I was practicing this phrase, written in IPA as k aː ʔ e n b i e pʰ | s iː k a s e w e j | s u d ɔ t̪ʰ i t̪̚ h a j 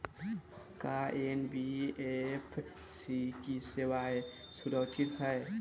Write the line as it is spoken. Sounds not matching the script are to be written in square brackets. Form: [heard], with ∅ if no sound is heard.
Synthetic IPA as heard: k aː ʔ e n b i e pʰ | s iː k [i] s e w [a] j | s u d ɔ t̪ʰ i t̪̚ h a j